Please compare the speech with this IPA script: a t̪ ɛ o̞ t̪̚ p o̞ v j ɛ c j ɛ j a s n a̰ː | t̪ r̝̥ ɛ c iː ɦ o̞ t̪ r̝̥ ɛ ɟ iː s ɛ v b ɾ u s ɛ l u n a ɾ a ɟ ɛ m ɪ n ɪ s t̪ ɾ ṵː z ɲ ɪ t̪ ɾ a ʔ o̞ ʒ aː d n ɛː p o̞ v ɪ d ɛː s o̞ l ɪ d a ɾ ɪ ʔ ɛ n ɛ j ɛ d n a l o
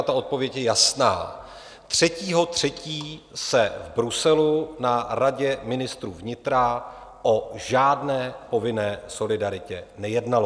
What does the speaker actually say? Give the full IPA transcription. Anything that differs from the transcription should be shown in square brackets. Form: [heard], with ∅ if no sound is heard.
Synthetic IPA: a t̪ [a] o̞ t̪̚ p o̞ v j ɛ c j ɛ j a s n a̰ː | t̪ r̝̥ ɛ c iː ɦ o̞ t̪ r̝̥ ɛ [c] iː s ɛ v b ɾ u s ɛ l u n a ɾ a ɟ ɛ m ɪ n ɪ s t̪ ɾ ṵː [v] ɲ ɪ t̪ ɾ a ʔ o̞ ʒ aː d n ɛː p o̞ v ɪ [n] ɛː s o̞ l ɪ d a ɾ ɪ [c] ɛ n ɛ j ɛ d n a l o